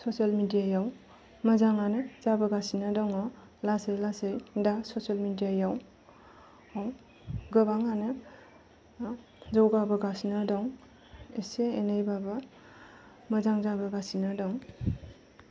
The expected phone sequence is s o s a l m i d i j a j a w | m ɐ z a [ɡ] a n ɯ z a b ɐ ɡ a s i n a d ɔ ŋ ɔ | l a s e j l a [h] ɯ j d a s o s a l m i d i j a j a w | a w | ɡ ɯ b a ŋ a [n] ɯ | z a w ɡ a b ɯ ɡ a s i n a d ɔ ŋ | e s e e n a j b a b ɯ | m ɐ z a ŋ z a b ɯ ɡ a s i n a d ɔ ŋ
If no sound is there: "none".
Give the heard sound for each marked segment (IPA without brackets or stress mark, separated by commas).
ŋ, s, n